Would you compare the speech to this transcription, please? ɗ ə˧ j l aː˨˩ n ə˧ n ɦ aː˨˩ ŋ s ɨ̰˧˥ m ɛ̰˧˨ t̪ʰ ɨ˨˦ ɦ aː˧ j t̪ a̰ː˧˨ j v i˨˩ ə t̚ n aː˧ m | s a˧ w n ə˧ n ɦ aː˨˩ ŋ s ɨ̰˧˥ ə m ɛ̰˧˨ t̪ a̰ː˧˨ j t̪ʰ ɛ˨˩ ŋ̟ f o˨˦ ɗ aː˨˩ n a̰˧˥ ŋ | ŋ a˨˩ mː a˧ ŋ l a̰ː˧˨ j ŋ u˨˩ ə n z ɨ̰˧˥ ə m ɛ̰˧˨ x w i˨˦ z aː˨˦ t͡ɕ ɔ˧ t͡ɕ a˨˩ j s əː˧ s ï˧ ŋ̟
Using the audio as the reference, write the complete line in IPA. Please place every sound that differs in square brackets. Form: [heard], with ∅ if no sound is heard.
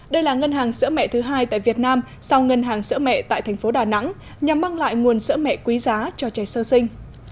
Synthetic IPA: ɗ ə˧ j l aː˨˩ [ŋ] ə˧ n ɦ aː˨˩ ŋ s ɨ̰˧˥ m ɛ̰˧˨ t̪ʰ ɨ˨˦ ɦ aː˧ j t̪ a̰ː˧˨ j v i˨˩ ə t̚ n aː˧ m | s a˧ w [ŋ] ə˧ n ɦ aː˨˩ ŋ s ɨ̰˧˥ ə m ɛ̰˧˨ t̪ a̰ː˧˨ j t̪ʰ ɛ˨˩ ŋ̟ f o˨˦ ɗ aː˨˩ n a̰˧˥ ŋ | [ɲ] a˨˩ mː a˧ ŋ l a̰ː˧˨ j ŋ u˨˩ ə n [s] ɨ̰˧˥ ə m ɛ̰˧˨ [k] w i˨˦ z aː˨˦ t͡ɕ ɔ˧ t͡ɕ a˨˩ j s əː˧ s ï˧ ŋ̟